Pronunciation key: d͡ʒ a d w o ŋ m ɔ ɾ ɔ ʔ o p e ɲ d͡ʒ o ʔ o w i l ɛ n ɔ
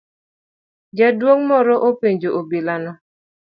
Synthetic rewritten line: d͡ʒ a d w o ŋ m ɔ ɾ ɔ ʔ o p e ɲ d͡ʒ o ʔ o b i l a n ɔ